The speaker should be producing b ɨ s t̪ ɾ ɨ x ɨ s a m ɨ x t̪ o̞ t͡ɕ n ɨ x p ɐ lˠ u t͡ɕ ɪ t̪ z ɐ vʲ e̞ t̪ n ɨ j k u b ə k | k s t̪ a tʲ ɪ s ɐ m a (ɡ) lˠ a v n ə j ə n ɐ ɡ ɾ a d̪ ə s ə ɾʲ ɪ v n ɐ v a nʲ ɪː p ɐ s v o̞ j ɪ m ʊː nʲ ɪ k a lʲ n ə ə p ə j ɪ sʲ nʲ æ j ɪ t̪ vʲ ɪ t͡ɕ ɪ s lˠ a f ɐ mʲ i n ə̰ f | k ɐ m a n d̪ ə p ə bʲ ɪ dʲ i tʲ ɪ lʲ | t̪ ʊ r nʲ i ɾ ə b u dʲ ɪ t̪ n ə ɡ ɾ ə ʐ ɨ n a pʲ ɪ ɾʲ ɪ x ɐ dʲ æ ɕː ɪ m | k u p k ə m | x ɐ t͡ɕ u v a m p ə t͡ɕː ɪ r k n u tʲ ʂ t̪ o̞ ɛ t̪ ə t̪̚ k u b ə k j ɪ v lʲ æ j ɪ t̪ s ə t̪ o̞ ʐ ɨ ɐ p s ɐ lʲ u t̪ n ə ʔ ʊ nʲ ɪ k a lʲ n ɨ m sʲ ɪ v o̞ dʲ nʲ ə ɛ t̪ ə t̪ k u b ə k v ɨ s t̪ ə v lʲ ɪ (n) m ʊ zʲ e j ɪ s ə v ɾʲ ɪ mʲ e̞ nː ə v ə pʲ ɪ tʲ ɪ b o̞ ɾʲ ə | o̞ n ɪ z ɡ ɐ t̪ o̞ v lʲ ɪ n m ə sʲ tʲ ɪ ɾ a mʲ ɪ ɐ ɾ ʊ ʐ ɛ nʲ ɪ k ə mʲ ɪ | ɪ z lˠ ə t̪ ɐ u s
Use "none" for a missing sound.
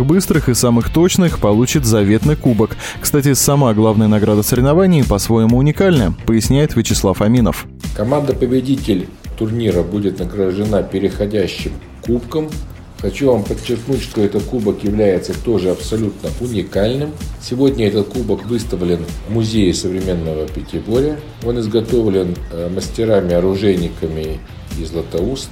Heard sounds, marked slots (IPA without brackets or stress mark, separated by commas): ɡ, n